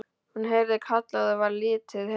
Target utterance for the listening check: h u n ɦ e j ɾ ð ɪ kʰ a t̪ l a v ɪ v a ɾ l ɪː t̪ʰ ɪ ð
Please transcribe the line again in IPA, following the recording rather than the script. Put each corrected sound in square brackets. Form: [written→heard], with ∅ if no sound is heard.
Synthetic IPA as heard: h u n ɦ e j ɾ ð ɪ kʰ a t̪ l a [v→ð] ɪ v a ɾ l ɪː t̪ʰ ɪ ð

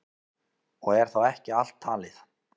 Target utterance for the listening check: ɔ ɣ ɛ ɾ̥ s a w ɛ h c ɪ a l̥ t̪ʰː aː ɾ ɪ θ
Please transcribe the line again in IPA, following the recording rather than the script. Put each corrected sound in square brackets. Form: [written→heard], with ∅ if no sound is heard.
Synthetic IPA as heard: ɔ ɣ ɛ ɾ̥ [s→θ] a w ɛ h c ɪ a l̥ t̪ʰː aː [ɾ→l] ɪ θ

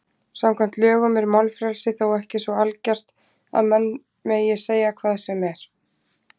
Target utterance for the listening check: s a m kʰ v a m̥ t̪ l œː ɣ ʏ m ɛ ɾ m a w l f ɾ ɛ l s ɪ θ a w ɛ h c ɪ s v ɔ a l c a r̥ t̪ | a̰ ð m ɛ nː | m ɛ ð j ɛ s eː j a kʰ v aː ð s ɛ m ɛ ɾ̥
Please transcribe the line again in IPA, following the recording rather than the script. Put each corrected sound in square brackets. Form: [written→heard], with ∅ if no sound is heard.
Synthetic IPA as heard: s a m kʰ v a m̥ t̪ l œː ɣ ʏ m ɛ ɾ m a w l f ɾ ɛ l s ɪ θ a w ɛ h c ɪ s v ɔ a l c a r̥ t̪ | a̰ ð m ɛ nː | m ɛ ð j ɛ s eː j a kʰ v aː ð s ɛ m ɛ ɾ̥

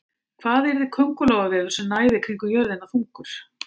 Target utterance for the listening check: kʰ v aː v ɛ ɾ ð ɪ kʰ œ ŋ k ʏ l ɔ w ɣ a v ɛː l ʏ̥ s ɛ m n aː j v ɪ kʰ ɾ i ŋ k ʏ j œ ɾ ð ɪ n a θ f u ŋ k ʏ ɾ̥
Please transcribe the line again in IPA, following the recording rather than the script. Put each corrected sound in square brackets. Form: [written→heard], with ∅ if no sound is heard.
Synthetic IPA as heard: kʰ v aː [v→ð] ɛ ɾ ð ɪ kʰ œ ŋ k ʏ l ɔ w ɣ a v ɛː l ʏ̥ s ɛ m n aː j [v→ð] ɪ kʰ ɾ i ŋ k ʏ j œ ɾ ð ɪ n a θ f u ŋ k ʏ ɾ̥

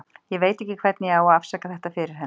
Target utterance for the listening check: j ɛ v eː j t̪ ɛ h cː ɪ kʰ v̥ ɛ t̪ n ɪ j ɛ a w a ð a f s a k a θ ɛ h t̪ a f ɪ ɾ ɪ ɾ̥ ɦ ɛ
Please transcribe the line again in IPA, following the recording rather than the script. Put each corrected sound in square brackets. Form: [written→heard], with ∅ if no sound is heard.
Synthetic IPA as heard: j ɛ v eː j t̪ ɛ h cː ɪ kʰ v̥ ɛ t̪ n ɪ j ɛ a w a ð a f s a k a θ ɛ h t̪ a f ɪ ɾ ɪ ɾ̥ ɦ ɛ

